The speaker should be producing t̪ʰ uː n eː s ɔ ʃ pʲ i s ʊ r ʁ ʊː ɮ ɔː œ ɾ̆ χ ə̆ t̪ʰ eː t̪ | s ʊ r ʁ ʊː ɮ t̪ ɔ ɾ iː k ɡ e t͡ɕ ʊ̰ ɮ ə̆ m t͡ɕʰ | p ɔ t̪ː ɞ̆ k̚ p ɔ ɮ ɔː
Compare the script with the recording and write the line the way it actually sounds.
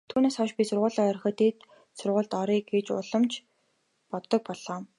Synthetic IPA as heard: t̪ʰ uː n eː s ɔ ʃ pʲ i s ʊ r ʁ ʊː ɮ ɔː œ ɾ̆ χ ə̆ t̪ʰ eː t̪ | s ʊ r ʁ ʊː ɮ t̪ ɔ ɾ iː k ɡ e t͡ɕ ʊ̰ ɮ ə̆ m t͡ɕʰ | p ɔ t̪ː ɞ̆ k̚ p ɔ ɮ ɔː